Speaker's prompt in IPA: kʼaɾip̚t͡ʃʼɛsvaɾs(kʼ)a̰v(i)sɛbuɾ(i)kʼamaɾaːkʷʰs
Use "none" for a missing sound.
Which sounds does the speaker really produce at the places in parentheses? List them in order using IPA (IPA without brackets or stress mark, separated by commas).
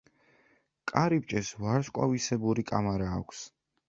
kʼ, i, i